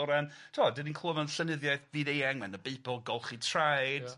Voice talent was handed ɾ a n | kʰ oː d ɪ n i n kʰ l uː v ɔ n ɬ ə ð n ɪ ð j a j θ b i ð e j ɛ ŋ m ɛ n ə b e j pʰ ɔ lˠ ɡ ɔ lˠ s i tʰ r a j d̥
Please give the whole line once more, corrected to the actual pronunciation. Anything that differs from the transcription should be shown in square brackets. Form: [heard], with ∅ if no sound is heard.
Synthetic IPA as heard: ɾ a n | [tʰ] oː d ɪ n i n kʰ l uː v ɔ n ɬ ə [∅] n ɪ ð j a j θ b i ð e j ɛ ŋ m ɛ n ə b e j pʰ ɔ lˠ ɡ ɔ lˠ [χ] i tʰ r a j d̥